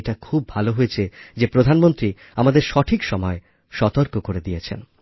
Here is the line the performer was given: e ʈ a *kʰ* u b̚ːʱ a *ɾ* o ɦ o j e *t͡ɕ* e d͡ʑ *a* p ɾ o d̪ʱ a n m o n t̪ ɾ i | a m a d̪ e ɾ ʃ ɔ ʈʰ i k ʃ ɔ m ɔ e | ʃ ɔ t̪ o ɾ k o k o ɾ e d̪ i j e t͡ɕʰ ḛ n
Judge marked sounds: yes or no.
yes, no, no, no

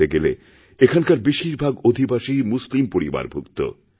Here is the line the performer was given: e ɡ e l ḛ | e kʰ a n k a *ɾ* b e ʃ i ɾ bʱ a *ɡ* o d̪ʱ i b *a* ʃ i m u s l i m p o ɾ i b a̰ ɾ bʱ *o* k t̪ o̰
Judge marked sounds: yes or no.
yes, yes, yes, no

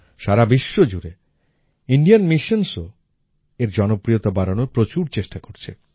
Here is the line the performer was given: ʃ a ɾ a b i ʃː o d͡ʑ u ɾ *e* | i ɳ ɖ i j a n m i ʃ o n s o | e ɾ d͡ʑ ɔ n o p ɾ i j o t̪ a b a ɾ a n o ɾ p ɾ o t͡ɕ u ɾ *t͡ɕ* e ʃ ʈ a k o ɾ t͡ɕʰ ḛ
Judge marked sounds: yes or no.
yes, yes

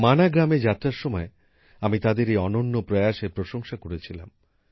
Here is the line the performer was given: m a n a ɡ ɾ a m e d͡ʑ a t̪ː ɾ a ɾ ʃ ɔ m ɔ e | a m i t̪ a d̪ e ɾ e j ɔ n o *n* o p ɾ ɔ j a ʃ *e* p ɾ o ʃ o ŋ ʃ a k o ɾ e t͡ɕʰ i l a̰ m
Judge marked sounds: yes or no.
no, yes

